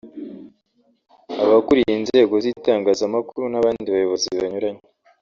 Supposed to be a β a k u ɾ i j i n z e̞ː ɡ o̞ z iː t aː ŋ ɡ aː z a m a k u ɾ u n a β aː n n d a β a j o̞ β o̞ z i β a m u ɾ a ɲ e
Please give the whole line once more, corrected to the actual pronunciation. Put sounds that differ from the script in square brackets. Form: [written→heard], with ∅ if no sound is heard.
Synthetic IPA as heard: a β a k u ɾ i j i n z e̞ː ɡ o̞ z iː t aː ŋ ɡ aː z a m a k u ɾ u n a β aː n n d [a→i] β a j o̞ β o̞ z i β a [m→ɲ] u ɾ a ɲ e